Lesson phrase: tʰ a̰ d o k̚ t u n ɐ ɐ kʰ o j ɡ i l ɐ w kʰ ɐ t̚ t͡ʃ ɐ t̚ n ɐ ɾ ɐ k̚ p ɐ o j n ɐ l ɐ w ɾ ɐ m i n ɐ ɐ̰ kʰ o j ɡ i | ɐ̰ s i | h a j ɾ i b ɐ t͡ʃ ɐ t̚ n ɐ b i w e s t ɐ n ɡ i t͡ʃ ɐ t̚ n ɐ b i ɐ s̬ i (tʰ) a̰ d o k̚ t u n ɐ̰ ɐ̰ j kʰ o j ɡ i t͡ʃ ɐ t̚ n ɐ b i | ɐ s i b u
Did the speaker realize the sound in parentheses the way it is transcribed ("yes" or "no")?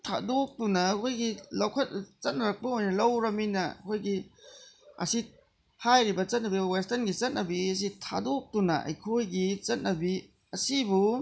yes